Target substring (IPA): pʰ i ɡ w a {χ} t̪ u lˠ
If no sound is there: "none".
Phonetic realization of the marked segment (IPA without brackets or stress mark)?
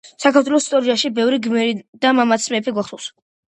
χ